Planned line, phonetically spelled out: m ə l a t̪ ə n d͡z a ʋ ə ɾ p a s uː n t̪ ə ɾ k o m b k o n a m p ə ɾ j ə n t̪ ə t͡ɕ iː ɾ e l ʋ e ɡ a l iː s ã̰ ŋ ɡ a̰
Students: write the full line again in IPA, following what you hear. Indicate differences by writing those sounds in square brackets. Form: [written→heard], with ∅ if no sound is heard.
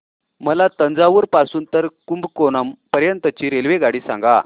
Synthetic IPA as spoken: m ə l a t̪ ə n d͡z a ʋ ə ɾ p a s uː n t̪ ə ɾ k [o→u] m b k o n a m p ə ɾ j ə n t̪ ə t͡ɕ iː ɾ e l ʋ e ɡ a [l→ɽ] iː s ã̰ ŋ ɡ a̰